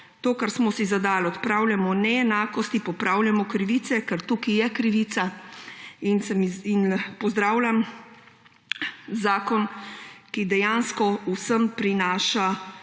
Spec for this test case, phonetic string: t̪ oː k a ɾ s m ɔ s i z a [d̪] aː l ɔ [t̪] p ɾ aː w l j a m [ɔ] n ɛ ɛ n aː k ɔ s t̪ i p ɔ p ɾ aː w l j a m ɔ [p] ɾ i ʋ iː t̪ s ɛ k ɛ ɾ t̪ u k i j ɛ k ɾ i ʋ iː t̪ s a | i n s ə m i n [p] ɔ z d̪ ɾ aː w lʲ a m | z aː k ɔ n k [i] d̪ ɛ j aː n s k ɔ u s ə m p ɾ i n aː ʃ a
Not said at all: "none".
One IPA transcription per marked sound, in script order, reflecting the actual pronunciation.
d̪, t̪, ɔ, k, p, i

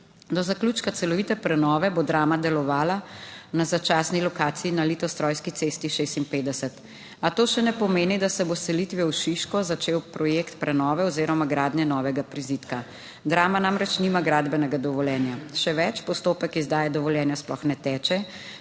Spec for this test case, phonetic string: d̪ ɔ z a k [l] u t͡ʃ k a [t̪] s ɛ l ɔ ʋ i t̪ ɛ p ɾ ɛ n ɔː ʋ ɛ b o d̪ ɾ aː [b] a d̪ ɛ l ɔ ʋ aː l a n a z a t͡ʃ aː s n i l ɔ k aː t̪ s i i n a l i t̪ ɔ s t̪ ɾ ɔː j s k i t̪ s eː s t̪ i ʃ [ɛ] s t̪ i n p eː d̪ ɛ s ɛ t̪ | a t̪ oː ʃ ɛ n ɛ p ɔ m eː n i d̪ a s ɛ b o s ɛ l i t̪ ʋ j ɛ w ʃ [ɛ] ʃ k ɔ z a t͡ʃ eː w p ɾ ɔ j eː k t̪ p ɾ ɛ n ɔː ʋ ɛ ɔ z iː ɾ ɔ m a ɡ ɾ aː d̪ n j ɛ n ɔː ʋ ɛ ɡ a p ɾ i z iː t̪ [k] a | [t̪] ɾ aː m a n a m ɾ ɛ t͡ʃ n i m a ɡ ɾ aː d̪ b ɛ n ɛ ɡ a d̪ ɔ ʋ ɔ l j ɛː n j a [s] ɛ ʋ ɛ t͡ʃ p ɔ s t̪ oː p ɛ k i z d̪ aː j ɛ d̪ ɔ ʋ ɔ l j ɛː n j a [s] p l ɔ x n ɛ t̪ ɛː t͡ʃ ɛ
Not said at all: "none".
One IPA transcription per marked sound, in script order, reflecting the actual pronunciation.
l, t̪, m, e, i, k, d̪, ʃ, s

